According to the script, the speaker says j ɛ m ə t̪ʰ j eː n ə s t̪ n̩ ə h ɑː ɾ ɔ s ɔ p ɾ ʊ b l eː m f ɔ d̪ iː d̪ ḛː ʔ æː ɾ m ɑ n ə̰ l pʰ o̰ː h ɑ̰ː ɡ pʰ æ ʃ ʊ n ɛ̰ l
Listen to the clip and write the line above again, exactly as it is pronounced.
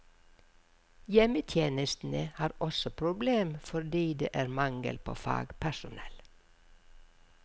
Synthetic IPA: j ɛ m ə t̪ʰ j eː n ə s t̪ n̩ ə h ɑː ɾ ɔ s ɔ pʰ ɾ ʊ b l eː m f ɔ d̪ iː d̪ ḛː ʔ æː ɾ m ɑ ŋ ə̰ l pʰ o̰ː f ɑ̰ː ɡ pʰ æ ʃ ʊ n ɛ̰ l